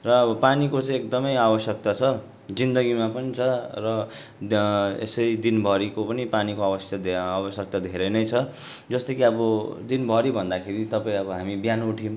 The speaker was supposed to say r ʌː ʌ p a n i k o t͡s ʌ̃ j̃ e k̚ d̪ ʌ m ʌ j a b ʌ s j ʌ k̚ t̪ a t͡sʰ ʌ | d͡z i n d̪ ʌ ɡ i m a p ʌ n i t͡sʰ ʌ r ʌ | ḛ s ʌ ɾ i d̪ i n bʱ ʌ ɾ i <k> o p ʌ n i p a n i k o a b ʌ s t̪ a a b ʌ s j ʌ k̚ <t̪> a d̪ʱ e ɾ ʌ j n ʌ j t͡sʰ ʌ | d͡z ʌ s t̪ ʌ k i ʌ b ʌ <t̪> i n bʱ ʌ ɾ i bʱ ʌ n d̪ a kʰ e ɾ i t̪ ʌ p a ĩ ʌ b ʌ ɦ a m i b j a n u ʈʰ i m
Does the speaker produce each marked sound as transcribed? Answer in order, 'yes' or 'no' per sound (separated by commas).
yes, yes, no